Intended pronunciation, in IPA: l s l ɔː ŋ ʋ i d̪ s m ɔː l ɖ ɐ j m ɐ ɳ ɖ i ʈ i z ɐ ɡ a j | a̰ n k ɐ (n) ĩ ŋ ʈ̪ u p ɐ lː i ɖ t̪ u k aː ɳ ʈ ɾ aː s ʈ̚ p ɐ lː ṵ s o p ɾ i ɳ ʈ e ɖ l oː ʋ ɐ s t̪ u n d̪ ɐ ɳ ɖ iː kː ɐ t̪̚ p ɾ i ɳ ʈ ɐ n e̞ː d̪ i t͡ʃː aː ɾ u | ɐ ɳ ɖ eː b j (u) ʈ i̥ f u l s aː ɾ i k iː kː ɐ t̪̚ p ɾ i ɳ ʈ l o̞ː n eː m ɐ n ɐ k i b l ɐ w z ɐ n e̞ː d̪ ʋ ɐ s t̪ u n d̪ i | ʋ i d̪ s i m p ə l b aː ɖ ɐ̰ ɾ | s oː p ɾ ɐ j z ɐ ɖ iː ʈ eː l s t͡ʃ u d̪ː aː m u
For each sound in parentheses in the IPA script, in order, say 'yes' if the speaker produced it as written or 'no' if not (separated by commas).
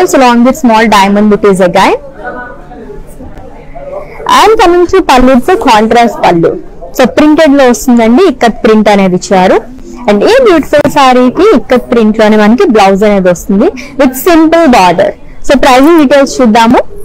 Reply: no, no